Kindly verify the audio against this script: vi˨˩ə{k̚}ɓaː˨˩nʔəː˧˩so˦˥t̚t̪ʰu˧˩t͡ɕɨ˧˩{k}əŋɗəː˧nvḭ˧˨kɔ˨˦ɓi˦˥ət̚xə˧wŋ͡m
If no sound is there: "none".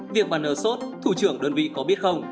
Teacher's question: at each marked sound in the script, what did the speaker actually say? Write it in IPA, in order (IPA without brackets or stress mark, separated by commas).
k̚, none